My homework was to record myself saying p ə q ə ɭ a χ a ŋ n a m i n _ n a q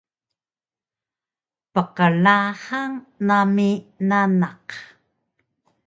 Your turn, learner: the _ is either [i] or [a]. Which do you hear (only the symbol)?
a